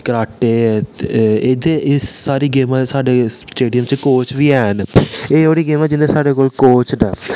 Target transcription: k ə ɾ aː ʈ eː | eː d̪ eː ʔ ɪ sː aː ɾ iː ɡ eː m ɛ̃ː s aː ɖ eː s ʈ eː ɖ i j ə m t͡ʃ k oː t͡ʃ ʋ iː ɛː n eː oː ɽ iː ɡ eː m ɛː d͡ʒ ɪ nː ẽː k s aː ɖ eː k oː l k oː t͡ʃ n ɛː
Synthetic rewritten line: k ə ɾ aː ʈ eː | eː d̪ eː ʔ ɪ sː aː ɾ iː ɡ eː m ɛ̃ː s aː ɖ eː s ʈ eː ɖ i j ə m t͡ʃ k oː t͡ʃ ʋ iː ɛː n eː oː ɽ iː ɡ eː m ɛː d͡ʒ ɪ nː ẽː s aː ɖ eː k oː l k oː t͡ʃ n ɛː